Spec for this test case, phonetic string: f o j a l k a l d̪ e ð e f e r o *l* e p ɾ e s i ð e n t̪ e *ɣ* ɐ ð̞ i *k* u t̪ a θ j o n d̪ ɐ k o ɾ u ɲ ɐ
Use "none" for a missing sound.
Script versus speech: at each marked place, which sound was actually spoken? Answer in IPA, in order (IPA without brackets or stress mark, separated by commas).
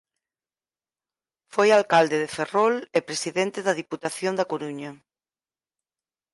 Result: l, ð, p